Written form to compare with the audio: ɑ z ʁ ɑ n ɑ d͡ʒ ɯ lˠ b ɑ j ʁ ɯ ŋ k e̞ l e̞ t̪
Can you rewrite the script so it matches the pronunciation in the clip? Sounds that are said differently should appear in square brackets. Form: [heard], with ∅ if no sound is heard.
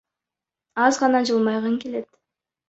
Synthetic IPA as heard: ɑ z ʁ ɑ n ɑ d͡ʒ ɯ lˠ [m] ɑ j ʁ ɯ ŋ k e̞ l e̞ t̪